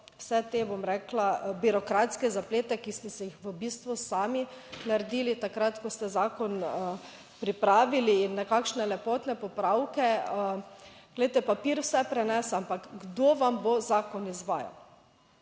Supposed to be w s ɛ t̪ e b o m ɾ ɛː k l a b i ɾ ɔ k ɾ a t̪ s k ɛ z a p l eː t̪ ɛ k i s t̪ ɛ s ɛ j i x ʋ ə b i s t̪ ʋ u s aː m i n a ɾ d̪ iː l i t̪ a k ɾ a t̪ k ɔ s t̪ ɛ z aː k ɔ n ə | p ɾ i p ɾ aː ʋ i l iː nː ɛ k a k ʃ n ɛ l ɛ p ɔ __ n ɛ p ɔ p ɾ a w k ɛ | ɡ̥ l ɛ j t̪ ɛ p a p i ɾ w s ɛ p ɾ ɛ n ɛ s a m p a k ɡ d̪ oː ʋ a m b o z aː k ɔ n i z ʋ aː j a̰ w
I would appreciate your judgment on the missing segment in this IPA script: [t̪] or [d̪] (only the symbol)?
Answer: t̪